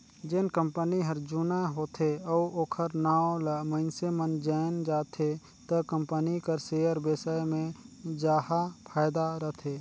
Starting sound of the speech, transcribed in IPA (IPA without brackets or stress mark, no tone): d͡ʒ